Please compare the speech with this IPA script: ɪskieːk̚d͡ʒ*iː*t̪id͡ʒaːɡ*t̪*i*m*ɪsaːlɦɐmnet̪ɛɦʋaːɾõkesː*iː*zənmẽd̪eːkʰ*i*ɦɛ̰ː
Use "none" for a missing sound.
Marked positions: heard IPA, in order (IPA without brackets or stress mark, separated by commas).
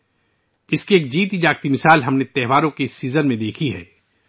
iː, t̪, m, iː, i